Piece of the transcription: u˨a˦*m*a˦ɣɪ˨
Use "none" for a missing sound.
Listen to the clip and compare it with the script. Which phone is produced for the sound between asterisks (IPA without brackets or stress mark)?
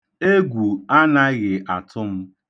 n